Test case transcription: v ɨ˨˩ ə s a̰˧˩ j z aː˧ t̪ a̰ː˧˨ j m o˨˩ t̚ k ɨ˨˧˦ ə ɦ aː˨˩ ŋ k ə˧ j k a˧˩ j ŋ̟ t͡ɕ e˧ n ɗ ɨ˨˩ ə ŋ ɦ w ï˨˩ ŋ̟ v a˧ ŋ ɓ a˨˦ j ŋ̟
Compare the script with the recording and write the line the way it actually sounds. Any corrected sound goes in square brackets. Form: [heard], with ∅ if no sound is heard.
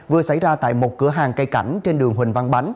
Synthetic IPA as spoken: v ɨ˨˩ ə s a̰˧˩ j z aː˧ t̪ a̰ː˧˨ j m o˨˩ t̚ k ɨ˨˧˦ ə ɦ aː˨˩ ŋ k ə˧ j k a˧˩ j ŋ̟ t͡ɕ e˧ n ɗ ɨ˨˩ ə ŋ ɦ w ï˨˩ ŋ̟ v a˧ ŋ ɓ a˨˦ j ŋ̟

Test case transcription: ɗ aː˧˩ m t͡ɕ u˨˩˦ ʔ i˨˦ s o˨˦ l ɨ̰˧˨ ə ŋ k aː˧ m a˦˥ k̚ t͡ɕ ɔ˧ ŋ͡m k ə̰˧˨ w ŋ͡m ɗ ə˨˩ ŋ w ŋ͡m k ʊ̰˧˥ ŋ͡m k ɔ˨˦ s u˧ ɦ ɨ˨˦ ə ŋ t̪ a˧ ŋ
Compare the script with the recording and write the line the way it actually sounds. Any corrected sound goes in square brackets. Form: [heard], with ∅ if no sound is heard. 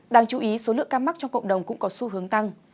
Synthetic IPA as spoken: ɗ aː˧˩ [ŋ] t͡ɕ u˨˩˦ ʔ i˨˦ s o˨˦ l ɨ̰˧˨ ə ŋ k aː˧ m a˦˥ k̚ t͡ɕ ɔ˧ ŋ͡m k ə̰˧˨ w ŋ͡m ɗ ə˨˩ [∅] w ŋ͡m k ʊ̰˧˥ ŋ͡m k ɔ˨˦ s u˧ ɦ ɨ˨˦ ə ŋ t̪ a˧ ŋ

